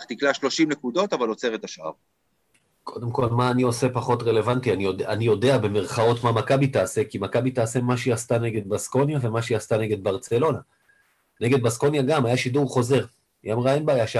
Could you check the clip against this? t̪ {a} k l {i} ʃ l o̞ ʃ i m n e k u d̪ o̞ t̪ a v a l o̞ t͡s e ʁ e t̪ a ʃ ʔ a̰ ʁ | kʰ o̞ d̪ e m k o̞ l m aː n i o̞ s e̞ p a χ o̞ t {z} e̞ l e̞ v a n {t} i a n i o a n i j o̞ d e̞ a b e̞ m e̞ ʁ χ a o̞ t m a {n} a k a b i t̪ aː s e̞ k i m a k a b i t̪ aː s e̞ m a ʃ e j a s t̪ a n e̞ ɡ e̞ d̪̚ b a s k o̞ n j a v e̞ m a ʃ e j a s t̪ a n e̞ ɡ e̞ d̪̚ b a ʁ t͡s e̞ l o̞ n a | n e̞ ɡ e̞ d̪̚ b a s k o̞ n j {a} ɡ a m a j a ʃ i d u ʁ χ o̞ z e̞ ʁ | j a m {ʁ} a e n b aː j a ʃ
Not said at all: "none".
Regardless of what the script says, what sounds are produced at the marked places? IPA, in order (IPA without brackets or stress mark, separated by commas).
i, a, ʁ, t, m, a, ʁ